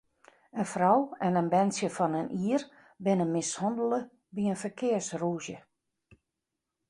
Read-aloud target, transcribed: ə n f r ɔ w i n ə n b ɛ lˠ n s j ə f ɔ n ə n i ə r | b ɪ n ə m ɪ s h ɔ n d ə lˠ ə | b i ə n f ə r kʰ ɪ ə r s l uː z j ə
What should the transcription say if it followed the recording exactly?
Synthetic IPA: ə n f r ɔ w ɛ n ə n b ɛ n s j ə f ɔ n ə n i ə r | b ɪ n ə m ɪ s h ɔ n d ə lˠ ə | b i ə n f ə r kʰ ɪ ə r s r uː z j ə